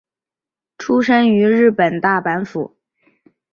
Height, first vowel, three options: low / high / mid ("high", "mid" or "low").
high